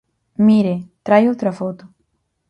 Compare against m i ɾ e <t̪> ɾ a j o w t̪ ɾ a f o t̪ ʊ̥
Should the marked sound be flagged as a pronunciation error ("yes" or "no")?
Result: no